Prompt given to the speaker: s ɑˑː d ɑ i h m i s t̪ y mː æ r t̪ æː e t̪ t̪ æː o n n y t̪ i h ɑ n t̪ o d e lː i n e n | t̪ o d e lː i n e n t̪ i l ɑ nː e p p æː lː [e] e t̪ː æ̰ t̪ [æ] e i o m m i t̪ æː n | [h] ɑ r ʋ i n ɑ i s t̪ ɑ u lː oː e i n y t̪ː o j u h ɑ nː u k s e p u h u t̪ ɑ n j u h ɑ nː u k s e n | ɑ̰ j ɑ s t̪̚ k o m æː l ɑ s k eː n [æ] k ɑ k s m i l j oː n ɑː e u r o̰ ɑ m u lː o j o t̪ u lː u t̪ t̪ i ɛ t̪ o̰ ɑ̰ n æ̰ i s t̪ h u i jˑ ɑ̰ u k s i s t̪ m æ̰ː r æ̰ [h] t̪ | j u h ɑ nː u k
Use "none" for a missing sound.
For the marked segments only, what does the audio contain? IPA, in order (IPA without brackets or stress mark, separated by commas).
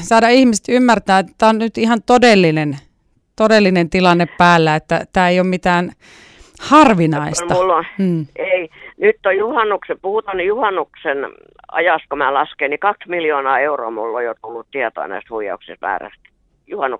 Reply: æ, æː, h, i, s